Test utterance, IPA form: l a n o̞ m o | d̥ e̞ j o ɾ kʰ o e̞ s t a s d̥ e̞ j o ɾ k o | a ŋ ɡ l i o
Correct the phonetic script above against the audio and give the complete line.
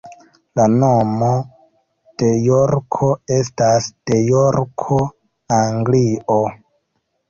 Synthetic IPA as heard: l a n o̞ m o | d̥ e̞ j o ɾ kʰ o e̞ s t a s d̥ e̞ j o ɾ kʰ o | a ŋ ɡ l i o